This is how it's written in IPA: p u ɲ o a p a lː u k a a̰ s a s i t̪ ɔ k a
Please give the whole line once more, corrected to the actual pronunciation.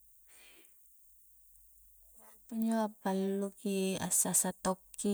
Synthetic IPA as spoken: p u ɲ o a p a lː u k i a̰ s a s a t̪ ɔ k i